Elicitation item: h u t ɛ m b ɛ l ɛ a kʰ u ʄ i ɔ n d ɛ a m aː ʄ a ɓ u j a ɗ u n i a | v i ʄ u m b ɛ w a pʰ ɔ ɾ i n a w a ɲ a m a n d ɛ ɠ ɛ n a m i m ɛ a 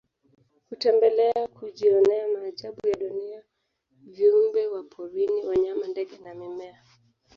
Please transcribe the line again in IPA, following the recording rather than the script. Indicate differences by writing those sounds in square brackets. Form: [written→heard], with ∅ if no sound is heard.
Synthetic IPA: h u t ɛ m b ɛ l ɛ a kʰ u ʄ i ɔ n [d→n] ɛ a m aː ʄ a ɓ u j a ɗ u n i a | v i [ʄ→∅] u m b ɛ w a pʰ ɔ ɾ i n [a→i] w a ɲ a m a n d ɛ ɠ ɛ n a m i m ɛ a